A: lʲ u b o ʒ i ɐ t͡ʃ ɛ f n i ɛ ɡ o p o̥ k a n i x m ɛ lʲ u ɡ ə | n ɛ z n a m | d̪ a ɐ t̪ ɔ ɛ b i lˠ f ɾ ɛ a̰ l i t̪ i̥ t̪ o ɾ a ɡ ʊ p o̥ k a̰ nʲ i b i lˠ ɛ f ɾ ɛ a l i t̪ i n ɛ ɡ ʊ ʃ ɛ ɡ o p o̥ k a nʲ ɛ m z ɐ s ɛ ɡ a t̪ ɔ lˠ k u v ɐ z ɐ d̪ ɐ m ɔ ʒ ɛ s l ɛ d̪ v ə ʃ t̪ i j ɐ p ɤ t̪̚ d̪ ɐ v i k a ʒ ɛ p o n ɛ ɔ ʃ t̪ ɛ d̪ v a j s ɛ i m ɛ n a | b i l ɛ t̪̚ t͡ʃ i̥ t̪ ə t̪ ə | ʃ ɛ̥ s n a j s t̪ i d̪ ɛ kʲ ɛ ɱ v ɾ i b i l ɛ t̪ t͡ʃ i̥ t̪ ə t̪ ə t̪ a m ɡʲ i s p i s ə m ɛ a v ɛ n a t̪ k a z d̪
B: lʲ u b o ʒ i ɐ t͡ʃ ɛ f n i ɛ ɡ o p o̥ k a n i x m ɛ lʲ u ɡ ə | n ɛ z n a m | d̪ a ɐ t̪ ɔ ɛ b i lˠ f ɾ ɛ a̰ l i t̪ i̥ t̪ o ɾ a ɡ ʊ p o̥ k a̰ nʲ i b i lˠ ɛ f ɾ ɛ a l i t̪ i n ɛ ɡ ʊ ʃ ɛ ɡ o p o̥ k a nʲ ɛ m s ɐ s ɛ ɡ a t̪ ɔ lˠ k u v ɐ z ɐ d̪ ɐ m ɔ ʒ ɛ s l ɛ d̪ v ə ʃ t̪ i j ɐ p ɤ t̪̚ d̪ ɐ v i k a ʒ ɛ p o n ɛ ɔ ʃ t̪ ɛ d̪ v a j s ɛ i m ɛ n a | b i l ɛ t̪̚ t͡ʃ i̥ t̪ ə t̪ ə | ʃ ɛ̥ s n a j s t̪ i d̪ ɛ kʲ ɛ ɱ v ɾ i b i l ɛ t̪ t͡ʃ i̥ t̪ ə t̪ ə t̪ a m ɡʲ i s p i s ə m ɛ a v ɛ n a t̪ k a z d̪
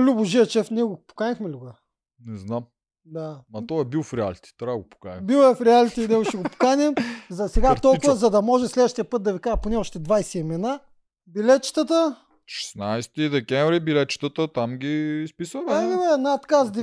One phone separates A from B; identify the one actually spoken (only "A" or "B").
A